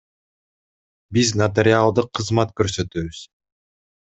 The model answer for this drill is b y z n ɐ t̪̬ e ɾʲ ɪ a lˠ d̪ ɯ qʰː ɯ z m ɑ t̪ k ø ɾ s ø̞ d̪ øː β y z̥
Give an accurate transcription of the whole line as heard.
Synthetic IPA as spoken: b i z n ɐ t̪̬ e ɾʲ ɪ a lˠ d̪ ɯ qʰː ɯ z m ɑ t̪ k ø ɾ s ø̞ t̪ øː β y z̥